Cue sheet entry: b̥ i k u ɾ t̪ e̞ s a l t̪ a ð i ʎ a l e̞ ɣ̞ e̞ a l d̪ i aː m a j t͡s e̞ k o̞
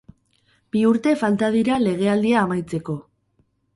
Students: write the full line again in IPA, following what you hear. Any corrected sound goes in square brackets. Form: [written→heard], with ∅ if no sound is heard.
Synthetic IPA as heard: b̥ i [k→∅] u ɾ t̪ e̞ [s→f] a l t̪ a ð i [ʎ→ɾ] a l e̞ ɣ̞ e̞ a l d̪ i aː m a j t͡s e̞ k o̞